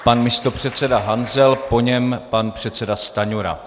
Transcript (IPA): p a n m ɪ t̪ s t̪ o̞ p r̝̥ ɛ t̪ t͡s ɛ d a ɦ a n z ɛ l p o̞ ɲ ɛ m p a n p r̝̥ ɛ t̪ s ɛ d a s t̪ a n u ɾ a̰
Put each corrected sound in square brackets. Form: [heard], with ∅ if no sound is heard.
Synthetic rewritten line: p a n m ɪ [∅] s t̪ o̞ p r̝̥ ɛ t̪ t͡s ɛ d a ɦ a n z ɛ l p o̞ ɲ ɛ m p a n p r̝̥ ɛ t̪ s ɛ d a s t̪ a [ɲ] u ɾ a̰